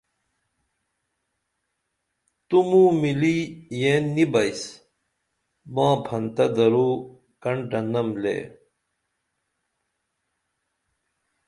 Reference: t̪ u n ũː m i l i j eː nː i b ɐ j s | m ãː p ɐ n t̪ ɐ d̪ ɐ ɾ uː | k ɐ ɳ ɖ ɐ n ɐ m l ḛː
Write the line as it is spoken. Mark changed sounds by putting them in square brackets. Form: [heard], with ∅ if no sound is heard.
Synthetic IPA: t̪ u [m] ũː m i l i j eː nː i b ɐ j s | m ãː [pʰ] ɐ n t̪ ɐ d̪ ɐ ɾ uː | k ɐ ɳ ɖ ɐ n ɐ m l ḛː

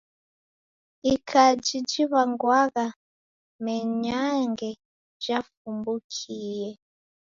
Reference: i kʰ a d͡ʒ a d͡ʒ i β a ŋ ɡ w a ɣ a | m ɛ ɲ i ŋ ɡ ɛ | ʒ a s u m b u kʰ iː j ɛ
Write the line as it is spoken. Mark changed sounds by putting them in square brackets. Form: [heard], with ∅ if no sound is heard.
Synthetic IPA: i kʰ a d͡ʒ [i] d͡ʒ i β a ŋ ɡ w a ɣ a | m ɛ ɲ [a] ŋ ɡ ɛ | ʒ a [f] u m b u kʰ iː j ɛ

